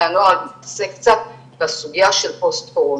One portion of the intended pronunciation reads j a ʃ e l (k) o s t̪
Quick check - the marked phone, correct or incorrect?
incorrect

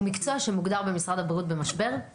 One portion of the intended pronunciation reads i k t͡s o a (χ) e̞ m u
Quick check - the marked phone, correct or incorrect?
incorrect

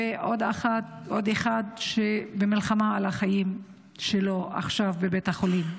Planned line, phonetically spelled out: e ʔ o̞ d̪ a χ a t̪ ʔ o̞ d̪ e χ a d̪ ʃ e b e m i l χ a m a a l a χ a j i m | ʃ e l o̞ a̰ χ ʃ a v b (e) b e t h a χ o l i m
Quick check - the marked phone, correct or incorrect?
correct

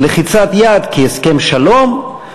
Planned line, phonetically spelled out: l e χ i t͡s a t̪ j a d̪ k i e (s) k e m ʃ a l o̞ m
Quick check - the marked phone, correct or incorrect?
correct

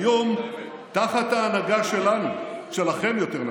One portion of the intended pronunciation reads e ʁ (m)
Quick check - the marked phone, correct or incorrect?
incorrect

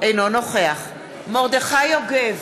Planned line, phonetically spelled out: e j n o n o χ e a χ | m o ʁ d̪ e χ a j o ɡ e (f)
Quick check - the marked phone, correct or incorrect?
incorrect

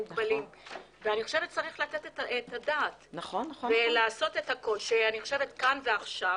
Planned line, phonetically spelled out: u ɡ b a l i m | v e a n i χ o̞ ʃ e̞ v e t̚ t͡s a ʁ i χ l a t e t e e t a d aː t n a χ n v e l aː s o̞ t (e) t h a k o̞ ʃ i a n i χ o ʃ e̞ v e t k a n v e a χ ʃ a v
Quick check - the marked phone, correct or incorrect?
correct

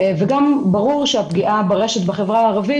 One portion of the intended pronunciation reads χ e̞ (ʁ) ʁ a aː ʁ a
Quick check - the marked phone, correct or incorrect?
incorrect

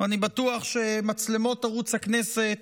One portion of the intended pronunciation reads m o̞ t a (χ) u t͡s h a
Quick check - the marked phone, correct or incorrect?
incorrect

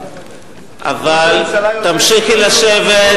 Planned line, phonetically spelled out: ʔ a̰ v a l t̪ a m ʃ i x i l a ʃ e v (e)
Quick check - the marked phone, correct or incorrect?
correct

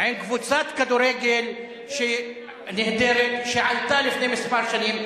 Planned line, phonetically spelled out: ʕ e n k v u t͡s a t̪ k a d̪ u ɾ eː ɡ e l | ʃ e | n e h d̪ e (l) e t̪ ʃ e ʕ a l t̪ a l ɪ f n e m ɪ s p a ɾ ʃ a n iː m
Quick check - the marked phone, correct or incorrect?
incorrect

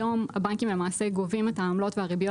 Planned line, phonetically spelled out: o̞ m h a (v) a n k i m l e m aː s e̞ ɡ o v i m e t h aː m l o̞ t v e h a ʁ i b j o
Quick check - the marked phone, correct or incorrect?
incorrect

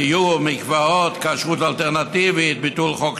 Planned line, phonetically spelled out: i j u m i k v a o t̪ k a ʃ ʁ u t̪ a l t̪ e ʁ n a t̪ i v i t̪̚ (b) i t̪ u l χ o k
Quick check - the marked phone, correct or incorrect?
correct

